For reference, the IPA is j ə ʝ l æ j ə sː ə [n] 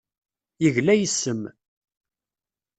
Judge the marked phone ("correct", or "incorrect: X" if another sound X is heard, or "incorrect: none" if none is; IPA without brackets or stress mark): incorrect: m